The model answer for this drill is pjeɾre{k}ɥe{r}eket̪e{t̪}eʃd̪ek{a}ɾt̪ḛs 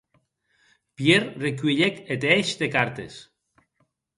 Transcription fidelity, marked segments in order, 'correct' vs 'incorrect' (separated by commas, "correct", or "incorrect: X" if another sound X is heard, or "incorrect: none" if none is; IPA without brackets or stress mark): correct, incorrect: ʎ, incorrect: none, correct